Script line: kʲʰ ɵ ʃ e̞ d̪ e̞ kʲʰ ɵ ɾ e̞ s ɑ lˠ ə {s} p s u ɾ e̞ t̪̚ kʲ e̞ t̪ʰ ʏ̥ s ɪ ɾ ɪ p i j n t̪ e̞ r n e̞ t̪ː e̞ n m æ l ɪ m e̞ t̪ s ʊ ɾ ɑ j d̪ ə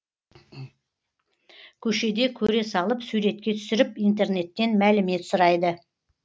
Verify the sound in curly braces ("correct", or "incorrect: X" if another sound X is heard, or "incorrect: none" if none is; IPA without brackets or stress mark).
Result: incorrect: none